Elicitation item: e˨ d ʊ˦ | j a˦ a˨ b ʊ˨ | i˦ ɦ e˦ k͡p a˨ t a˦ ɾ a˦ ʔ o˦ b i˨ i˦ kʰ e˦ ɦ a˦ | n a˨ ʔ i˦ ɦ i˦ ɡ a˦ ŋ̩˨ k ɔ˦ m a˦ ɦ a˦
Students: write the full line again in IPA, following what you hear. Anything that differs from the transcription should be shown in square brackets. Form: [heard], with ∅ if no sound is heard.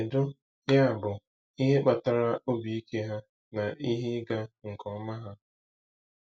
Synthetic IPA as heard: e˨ d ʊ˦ | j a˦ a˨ b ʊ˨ | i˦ ɦ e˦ k͡p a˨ t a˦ ɾ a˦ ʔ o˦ b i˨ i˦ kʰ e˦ ɦ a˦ | n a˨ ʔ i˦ ɦ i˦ ɡ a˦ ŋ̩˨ k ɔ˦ m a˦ ɦ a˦